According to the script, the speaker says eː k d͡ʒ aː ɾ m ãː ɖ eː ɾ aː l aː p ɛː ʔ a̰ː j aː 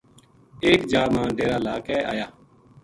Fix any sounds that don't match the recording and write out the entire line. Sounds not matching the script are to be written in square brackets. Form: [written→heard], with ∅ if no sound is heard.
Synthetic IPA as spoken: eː k d͡ʒ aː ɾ m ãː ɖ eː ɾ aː l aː [p→k] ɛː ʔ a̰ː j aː